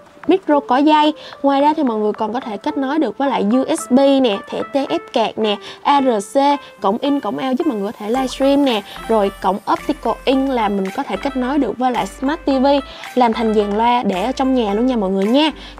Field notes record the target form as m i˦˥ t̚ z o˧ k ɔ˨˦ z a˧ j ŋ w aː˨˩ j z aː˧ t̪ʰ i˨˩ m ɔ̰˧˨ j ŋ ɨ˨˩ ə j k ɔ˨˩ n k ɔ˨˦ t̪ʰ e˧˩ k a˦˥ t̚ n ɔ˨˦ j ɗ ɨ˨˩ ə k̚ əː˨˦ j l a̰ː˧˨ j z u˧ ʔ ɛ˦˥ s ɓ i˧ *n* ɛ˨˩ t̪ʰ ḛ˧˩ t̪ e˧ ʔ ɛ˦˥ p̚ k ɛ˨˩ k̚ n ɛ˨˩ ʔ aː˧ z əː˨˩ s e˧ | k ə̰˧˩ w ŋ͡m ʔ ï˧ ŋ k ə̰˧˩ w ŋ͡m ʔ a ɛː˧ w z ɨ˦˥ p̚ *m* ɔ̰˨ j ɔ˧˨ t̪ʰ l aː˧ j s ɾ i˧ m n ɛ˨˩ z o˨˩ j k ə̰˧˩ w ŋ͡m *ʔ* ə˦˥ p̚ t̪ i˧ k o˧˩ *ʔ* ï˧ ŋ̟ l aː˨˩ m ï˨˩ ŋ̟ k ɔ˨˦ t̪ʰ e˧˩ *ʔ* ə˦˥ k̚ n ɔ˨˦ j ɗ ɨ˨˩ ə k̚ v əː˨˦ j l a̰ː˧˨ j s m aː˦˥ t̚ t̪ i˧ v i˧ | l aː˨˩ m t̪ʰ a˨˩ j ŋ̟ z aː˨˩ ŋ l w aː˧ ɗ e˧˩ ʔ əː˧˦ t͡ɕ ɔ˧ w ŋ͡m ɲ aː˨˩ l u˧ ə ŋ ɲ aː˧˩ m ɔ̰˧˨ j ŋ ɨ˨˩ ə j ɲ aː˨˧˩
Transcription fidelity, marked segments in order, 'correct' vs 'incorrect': correct, correct, correct, correct, incorrect: k

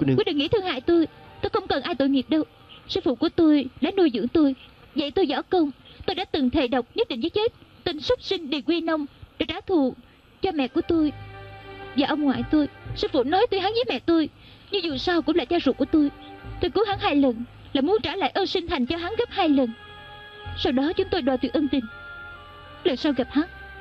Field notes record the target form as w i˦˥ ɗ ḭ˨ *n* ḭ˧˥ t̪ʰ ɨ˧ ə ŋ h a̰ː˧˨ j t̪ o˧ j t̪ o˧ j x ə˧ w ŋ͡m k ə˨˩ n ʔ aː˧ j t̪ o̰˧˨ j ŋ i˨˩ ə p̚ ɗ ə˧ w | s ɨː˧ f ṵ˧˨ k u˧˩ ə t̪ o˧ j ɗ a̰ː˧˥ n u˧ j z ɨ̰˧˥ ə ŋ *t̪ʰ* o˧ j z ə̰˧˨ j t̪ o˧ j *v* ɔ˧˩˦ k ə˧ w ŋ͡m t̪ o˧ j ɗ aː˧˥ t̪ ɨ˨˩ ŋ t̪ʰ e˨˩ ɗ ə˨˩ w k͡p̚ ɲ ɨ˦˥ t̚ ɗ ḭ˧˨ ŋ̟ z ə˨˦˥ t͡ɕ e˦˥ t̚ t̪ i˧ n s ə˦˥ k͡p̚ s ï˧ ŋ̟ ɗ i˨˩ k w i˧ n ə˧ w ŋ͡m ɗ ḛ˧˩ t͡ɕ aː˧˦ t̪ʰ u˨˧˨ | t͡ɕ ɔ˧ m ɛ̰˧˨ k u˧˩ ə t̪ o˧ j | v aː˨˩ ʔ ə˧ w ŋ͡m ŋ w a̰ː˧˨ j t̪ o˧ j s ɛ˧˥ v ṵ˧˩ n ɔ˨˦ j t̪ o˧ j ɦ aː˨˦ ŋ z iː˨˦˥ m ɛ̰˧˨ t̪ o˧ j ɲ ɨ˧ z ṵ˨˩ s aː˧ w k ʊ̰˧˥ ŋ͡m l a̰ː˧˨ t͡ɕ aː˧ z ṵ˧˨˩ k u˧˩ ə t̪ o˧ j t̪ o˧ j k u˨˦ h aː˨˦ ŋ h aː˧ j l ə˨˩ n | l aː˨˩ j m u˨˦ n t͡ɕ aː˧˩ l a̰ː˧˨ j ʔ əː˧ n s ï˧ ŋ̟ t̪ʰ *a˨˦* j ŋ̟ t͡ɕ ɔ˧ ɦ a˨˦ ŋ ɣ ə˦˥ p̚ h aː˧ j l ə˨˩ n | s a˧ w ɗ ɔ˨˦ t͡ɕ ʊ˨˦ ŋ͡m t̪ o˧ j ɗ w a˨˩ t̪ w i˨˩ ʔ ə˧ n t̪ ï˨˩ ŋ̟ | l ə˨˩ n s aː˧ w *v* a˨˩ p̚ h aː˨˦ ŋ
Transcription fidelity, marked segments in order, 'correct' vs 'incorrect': incorrect: ŋ, incorrect: t̪, incorrect: z, incorrect: a˨˩, incorrect: ɣ

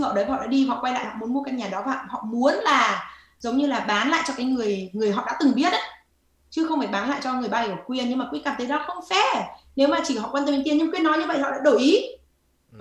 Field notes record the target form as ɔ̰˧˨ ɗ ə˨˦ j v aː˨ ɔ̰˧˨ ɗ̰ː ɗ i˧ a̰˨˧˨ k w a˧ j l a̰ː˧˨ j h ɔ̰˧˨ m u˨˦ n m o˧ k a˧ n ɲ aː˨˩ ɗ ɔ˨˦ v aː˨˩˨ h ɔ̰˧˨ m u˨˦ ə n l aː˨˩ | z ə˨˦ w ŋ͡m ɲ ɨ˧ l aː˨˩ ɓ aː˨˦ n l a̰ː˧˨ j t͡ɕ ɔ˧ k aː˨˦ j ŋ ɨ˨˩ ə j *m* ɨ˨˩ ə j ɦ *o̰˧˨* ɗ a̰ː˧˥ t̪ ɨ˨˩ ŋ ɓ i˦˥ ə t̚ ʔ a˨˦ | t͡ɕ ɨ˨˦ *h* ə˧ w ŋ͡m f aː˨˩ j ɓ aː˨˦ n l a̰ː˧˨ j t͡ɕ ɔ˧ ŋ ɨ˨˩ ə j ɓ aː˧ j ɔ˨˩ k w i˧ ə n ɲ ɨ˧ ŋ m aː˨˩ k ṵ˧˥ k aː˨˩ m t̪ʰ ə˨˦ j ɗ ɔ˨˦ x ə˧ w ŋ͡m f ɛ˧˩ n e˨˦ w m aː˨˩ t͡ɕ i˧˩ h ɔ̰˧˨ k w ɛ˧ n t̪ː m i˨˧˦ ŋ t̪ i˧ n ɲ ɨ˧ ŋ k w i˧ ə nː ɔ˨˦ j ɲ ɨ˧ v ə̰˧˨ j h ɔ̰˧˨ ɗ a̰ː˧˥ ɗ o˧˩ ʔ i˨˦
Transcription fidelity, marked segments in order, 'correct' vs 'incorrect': incorrect: ŋ, incorrect: ɔ̰˧˨, incorrect: x

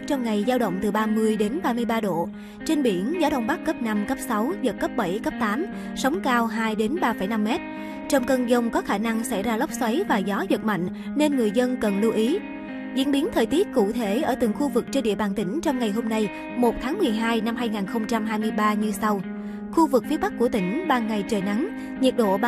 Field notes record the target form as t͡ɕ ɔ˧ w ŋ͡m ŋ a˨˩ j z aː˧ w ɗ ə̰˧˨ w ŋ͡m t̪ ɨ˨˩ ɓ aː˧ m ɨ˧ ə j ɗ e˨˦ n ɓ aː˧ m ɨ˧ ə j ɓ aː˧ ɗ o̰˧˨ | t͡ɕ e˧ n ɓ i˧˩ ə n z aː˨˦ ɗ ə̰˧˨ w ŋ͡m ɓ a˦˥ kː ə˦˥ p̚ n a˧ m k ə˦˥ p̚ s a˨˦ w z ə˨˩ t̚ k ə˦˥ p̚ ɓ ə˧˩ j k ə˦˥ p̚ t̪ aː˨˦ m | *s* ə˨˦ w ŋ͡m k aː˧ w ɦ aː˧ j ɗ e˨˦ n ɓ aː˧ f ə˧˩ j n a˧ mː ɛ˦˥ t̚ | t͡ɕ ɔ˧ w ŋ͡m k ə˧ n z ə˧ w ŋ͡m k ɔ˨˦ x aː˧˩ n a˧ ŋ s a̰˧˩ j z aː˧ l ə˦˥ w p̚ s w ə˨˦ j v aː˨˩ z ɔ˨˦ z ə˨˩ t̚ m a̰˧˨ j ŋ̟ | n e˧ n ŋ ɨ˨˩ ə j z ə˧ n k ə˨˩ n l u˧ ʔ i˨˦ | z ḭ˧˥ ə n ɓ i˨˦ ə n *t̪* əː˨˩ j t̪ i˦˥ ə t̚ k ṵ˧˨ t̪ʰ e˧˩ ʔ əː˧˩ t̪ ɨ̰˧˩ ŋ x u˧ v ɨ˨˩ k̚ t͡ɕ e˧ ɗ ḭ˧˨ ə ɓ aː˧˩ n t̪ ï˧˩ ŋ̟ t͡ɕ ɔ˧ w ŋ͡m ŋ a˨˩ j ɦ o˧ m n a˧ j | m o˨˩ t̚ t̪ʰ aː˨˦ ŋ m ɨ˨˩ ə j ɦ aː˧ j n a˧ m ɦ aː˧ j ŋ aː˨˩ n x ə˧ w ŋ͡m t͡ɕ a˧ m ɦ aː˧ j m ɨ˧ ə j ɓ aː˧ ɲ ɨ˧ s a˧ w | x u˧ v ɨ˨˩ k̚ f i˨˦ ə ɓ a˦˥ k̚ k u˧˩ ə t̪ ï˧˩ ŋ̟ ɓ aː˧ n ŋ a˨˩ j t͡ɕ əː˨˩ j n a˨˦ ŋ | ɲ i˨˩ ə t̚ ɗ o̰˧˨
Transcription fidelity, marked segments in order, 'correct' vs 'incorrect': correct, incorrect: t̪ʰ

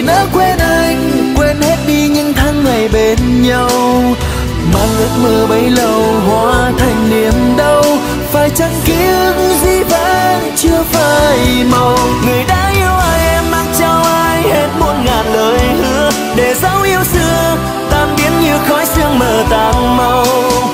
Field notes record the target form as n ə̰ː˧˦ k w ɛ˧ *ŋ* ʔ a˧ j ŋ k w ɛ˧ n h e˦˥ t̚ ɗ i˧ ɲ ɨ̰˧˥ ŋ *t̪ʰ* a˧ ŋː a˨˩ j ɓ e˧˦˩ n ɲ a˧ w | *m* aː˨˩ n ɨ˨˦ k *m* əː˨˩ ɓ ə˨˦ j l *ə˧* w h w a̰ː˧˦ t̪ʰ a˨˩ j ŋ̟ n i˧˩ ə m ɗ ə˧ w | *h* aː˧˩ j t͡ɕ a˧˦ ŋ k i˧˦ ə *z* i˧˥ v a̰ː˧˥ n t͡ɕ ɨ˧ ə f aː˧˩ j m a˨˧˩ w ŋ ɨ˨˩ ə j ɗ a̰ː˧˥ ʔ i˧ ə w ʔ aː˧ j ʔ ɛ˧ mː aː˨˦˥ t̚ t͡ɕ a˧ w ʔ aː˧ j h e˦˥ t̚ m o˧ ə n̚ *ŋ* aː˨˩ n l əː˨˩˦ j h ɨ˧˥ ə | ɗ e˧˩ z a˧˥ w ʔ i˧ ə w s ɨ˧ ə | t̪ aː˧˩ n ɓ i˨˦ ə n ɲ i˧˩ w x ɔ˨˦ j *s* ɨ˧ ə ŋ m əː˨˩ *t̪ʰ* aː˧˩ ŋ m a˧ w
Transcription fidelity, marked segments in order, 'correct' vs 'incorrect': incorrect: n, correct, correct, correct, incorrect: ə˨˩, incorrect: f, correct, correct, correct, incorrect: t̪

